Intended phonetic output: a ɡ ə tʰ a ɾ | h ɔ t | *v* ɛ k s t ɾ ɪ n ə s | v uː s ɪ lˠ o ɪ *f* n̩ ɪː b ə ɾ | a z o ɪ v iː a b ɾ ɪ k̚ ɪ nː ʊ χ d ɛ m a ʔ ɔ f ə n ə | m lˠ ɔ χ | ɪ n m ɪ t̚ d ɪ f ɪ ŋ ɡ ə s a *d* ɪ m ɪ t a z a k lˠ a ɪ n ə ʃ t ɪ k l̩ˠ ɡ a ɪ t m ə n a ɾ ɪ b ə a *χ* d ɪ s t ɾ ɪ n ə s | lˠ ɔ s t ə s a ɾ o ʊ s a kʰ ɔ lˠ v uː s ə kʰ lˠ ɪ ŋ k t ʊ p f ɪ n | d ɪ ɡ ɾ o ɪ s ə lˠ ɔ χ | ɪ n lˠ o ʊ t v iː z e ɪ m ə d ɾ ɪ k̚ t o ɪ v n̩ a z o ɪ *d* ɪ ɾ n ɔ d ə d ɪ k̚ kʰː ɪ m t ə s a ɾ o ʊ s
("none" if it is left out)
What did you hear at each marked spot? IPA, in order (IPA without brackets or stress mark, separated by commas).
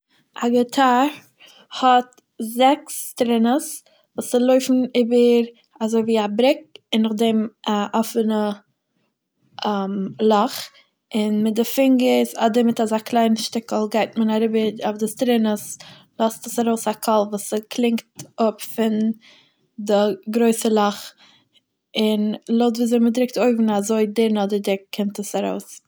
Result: z, f, d, f, d